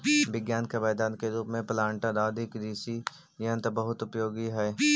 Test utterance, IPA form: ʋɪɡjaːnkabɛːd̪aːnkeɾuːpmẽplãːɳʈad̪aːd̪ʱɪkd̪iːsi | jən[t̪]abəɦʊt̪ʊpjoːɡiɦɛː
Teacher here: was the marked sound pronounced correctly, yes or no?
yes